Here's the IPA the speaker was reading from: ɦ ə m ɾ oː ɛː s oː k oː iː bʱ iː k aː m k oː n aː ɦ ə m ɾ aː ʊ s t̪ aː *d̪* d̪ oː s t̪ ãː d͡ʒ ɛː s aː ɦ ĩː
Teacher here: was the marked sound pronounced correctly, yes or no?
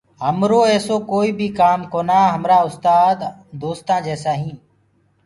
yes